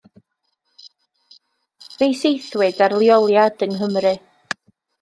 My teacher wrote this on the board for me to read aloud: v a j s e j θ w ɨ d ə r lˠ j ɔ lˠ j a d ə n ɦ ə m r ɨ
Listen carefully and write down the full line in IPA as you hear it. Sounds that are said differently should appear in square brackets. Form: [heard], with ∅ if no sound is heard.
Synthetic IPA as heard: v [e] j s e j θ w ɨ d [a] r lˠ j ɔ lˠ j a d ə n ɦ ə m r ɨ